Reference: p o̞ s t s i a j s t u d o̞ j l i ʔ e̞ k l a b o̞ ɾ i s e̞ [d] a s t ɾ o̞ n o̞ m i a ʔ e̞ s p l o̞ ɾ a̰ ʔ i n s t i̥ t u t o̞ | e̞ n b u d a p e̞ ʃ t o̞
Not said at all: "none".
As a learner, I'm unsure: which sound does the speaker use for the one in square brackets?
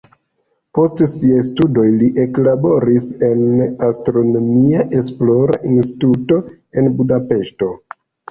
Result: n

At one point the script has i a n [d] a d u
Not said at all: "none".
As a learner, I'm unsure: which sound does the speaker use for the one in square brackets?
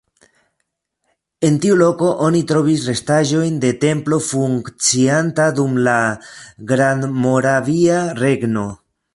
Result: t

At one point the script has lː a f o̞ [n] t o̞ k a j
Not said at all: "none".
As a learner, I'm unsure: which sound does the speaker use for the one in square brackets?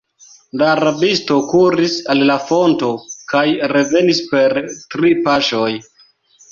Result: n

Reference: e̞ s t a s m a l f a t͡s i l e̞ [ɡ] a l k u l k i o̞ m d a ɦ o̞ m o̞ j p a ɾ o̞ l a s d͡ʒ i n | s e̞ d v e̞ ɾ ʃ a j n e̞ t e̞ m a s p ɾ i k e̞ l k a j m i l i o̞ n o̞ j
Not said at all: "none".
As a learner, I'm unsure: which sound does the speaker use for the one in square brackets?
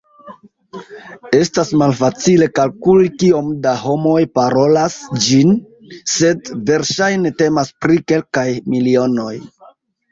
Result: k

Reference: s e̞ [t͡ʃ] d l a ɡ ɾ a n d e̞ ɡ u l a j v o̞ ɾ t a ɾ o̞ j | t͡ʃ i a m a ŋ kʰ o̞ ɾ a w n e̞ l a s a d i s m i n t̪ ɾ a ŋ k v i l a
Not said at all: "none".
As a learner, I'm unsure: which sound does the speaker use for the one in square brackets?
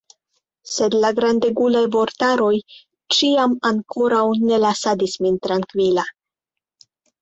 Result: none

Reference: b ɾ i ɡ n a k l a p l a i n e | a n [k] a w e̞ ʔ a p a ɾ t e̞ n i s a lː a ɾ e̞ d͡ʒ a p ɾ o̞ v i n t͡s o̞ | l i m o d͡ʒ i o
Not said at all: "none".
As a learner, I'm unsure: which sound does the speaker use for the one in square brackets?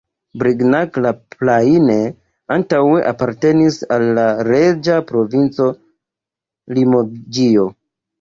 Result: t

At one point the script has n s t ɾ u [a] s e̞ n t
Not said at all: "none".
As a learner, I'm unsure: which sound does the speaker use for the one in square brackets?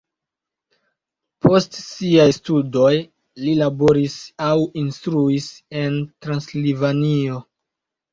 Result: i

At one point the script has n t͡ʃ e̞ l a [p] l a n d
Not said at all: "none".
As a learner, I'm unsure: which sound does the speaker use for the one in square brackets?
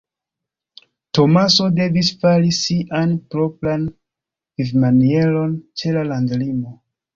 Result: none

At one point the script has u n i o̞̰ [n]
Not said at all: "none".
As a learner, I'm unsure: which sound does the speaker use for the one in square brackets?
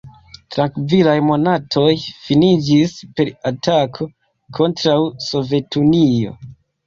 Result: none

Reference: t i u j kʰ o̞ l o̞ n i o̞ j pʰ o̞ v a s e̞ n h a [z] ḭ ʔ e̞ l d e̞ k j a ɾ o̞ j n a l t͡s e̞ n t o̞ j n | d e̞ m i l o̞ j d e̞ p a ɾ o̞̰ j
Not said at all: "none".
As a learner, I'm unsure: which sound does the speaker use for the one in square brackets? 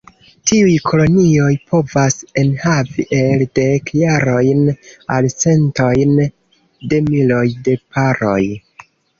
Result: v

